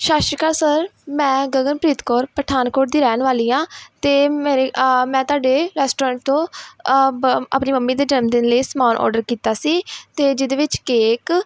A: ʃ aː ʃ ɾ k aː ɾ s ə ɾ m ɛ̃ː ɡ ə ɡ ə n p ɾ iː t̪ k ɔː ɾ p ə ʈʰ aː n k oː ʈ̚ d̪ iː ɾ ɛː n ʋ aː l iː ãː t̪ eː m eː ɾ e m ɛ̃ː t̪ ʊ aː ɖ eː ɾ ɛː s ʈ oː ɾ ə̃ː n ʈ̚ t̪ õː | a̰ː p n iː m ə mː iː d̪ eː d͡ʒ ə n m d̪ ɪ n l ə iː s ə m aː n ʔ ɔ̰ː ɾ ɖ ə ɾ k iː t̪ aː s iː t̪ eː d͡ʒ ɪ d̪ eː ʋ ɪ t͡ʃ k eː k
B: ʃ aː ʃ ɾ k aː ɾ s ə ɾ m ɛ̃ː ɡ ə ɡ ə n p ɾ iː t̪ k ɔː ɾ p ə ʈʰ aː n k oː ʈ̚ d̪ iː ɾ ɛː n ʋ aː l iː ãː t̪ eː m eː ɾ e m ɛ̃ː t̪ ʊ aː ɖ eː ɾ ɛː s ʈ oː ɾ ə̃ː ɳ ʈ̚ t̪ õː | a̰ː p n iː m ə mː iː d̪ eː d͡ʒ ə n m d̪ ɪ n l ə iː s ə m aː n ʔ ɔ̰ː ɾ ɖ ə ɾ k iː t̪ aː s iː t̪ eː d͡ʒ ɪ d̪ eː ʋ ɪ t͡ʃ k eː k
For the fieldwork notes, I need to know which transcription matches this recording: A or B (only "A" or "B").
B